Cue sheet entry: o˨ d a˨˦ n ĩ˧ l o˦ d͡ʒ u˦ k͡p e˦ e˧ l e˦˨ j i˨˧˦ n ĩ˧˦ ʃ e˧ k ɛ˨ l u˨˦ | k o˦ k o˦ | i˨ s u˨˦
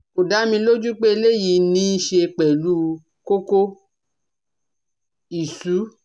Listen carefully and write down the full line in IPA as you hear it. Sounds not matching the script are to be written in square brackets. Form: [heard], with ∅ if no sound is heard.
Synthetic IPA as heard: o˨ d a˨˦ [m] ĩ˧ l o˦ d͡ʒ u˦ k͡p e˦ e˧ l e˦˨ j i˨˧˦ n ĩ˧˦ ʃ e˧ [k͡p] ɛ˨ l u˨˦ | k o˦ k o˦ | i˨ s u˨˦